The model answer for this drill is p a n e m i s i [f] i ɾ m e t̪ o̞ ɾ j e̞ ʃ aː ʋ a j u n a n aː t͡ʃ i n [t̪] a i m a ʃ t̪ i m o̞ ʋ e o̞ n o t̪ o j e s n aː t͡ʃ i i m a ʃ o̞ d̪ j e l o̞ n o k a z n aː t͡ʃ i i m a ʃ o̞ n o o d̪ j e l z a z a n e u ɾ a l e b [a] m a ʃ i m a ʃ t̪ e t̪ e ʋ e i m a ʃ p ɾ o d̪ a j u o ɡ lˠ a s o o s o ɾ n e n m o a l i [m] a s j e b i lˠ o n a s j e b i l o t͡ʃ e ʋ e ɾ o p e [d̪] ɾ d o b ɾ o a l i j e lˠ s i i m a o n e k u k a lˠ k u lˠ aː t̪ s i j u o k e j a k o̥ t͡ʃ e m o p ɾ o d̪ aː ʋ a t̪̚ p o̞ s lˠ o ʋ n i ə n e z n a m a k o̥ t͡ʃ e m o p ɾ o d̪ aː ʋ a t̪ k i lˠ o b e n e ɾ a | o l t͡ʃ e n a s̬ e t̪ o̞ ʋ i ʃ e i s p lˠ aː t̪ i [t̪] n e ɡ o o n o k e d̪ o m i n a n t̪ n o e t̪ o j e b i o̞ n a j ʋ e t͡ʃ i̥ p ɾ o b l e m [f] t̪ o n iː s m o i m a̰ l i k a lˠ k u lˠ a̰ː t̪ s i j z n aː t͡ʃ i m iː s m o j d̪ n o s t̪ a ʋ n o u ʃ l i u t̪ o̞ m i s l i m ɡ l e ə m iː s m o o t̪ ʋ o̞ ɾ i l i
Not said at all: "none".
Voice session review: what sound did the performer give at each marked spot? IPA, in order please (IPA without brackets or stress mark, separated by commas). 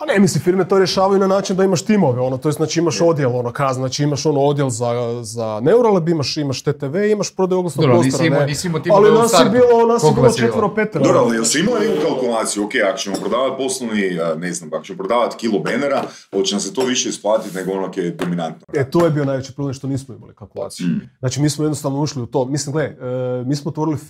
f, d̪, i, n, t̪, t̪, ʃ